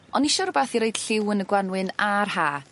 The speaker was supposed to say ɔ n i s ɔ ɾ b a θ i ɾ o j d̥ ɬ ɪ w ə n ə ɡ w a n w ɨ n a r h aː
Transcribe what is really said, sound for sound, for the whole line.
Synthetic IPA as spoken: ɔ n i ʃ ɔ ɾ b a θ i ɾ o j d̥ ɬ ɪ w ə n ə ɡ w a n w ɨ n a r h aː